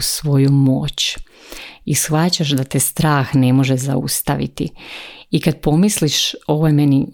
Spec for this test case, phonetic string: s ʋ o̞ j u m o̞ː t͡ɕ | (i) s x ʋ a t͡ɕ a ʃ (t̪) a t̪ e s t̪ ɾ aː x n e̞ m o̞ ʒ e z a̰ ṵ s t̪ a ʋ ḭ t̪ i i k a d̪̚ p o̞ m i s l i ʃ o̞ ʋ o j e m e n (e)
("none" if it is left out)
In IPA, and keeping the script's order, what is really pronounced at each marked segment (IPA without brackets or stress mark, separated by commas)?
i, d̪, i